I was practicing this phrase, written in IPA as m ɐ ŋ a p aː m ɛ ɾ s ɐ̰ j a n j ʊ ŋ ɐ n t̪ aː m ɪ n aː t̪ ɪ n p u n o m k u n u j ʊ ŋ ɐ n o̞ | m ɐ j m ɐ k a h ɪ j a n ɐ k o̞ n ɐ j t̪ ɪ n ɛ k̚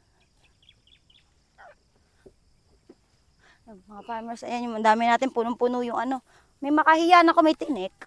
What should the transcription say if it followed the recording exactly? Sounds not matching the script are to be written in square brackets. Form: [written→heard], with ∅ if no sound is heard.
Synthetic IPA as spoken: m ɐ ŋ a p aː m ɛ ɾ s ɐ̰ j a n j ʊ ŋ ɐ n [t̪→d̪] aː m ɪ n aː t̪ ɪ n p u n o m [k→p] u n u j ʊ ŋ ɐ n o̞ | m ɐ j m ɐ k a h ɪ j a n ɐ k o̞ [n→m] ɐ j t̪ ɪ n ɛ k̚